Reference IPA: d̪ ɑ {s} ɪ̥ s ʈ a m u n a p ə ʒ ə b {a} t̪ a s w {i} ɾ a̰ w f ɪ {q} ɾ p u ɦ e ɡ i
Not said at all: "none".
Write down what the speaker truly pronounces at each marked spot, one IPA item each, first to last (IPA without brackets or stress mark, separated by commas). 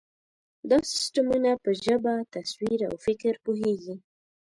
s, a, i, k